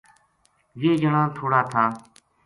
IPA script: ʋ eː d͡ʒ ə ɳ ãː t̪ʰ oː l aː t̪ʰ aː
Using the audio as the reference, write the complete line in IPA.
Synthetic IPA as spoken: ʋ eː d͡ʒ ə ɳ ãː t̪ʰ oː ɽ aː t̪ʰ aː